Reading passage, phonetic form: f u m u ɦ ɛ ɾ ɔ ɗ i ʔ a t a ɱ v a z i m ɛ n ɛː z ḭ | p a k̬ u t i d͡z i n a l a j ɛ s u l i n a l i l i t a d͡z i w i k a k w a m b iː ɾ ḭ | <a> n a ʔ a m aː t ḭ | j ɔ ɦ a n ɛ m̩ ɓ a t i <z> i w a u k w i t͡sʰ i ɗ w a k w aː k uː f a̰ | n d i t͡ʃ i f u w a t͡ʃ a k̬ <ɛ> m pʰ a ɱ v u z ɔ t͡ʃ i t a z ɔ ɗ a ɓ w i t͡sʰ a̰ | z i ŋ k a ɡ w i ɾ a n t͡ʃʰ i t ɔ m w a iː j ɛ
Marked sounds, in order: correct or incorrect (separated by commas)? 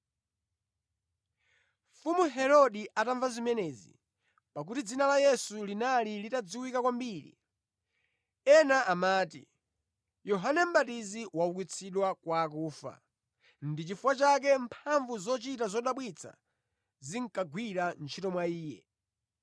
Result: incorrect, correct, correct